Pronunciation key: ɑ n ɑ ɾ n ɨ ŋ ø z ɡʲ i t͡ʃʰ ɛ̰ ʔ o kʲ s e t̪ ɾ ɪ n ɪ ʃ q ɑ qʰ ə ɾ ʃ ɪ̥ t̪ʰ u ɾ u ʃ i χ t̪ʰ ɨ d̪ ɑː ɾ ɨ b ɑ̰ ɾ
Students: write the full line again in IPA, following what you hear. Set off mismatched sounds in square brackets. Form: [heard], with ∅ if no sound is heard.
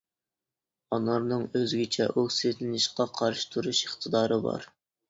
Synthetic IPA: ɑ n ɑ ɾ n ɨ ŋ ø z ɡʲ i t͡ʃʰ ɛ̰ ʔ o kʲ s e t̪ [l] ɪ n ɪ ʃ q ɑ qʰ [ɑ] ɾ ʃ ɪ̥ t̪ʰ u ɾ u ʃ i χ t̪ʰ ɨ d̪ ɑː ɾ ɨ b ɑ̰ ɾ